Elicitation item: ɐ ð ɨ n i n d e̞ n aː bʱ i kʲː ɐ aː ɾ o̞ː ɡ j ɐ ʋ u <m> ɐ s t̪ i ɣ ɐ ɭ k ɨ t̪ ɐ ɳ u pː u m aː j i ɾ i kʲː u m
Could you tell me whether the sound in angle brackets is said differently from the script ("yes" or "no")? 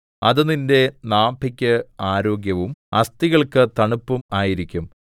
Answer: no